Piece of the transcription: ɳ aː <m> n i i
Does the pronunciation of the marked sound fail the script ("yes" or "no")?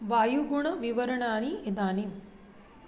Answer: yes